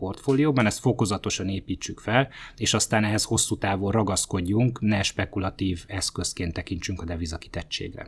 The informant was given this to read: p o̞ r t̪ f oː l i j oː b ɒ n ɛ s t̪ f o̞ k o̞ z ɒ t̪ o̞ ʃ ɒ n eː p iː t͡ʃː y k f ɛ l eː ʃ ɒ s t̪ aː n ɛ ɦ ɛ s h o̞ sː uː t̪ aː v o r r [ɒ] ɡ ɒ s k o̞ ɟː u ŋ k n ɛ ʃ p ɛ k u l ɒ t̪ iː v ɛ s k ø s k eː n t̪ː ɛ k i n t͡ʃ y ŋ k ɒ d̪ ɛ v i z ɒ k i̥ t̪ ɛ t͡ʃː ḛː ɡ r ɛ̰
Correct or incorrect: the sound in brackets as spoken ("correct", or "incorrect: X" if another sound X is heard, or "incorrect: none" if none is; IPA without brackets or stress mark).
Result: correct